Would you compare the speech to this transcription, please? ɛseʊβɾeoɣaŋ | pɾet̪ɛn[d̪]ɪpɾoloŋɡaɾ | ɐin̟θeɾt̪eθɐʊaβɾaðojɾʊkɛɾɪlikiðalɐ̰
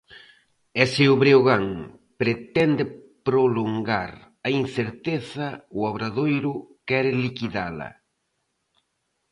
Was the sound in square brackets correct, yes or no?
yes